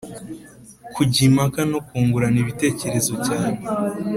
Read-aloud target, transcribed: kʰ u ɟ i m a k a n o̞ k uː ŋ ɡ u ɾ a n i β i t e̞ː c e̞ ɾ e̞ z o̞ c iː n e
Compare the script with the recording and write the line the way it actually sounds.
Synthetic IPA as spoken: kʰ u ɟ i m a k a n o̞ k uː ŋ ɡ u ɾ a n i β i t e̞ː c e̞ ɾ e̞ z o̞ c aː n e